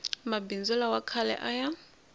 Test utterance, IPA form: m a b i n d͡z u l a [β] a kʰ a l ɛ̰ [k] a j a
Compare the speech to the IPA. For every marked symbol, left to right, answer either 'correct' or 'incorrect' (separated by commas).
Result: incorrect, incorrect